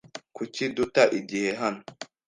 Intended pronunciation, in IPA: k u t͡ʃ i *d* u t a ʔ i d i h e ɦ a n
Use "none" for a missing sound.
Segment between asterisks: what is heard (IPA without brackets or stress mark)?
d